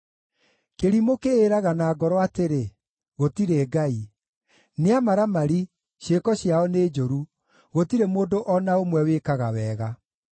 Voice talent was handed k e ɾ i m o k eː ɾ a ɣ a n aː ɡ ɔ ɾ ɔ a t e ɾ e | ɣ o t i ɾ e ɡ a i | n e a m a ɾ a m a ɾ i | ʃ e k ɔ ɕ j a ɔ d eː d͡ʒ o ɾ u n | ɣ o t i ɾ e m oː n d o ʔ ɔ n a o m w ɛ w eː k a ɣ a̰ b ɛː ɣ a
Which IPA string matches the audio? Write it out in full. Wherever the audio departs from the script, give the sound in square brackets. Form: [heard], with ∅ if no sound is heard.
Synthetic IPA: k e ɾ i m o k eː ɾ a ɣ a n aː ɡ ɔ ɾ ɔ a t e ɾ e | ɣ o t i ɾ e ɡ a i | n e a m a ɾ a m a ɾ i | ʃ e k ɔ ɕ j a ɔ [n] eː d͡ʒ o ɾ u [∅] | ɣ o t i ɾ e m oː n d o ʔ ɔ n a o m w ɛ w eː k a ɣ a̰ [w] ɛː ɣ a